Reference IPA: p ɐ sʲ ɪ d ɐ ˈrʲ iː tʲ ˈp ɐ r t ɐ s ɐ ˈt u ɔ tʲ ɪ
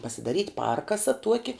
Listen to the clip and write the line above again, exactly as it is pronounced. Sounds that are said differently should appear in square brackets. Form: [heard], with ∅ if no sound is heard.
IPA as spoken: p ɐ sʲ ɪ d ɐ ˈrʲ iː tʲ ˈp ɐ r [k] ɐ s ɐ ˈt u ɔ [kʲ] ɪ